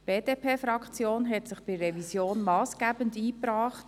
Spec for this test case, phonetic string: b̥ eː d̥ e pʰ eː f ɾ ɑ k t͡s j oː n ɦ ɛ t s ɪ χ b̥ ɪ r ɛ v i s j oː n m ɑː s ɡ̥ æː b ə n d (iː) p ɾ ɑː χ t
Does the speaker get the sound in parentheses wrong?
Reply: no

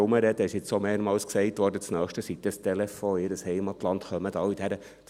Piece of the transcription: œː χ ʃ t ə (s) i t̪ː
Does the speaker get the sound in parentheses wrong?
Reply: no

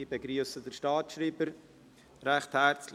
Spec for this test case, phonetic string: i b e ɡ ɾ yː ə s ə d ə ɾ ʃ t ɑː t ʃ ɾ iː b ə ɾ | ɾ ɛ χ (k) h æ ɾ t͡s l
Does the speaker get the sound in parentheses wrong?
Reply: yes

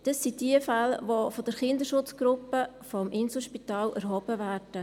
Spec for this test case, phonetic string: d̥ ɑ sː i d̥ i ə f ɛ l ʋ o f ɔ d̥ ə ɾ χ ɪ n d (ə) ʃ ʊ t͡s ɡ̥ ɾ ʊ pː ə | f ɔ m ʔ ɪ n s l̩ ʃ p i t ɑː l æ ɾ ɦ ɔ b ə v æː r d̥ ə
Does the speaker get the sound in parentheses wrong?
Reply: no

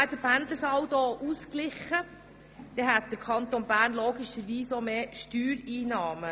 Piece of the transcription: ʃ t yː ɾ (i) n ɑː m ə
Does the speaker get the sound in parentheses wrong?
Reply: yes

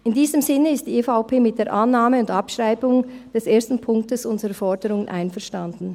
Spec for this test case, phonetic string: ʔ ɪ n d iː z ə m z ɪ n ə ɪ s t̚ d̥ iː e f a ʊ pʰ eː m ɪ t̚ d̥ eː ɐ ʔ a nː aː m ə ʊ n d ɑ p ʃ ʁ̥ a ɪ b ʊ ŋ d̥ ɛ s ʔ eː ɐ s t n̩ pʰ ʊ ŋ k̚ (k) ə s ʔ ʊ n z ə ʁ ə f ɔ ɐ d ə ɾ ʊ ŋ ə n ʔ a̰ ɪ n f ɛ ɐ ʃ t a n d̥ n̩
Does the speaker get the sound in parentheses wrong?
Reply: yes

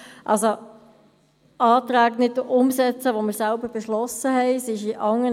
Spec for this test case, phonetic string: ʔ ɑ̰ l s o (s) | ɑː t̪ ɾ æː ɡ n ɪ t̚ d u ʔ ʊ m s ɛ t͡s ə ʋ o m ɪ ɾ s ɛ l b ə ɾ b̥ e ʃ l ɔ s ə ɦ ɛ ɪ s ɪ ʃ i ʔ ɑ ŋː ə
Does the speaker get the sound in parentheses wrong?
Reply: yes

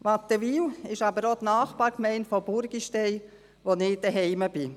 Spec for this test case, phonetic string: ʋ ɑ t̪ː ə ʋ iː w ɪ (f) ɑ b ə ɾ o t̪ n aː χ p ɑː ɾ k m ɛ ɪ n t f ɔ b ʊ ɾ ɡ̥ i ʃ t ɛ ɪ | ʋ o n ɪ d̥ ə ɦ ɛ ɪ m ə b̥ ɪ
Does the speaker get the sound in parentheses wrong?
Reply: yes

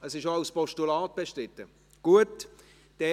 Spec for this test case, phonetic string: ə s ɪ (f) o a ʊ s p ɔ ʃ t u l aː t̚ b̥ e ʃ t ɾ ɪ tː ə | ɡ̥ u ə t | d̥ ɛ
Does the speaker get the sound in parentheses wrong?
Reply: yes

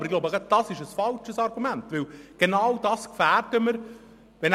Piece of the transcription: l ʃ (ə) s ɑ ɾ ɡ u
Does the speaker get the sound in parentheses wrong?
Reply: no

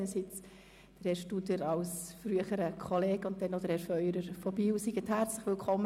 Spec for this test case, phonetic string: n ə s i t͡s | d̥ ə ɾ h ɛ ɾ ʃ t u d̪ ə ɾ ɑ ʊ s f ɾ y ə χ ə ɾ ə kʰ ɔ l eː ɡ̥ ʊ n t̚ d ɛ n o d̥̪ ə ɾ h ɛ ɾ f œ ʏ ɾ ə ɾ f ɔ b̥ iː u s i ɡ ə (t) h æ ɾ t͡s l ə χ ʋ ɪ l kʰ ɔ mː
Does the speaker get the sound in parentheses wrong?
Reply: no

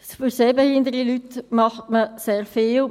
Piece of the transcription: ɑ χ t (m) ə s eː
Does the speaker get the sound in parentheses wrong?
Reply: no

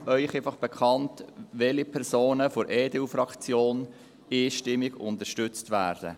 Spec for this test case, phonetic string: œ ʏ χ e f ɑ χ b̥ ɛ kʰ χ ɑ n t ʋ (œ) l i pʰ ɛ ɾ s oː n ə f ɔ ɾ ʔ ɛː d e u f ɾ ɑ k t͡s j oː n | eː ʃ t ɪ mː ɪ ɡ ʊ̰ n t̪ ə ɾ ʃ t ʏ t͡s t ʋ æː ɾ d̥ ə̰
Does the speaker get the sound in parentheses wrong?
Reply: yes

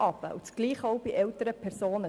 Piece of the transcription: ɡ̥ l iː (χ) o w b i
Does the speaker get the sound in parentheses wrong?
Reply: no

